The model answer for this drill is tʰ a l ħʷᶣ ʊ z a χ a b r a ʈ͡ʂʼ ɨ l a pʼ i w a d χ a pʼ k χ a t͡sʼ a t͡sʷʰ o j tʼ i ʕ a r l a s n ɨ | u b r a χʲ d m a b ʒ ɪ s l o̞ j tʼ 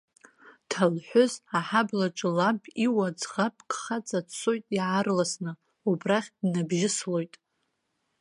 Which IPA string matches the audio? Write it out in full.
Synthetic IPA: tʰ a l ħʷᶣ ʊ z a ħ a b l a ʈ͡ʂʼ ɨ l a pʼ i w a d͡z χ a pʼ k χ a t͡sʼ a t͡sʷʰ o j tʼ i ʕ a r l a s n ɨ | u b r a χʲ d n a b ʒ ɪ s l o̞ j tʼ